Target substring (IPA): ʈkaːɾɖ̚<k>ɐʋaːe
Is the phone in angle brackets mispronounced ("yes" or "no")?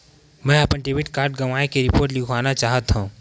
yes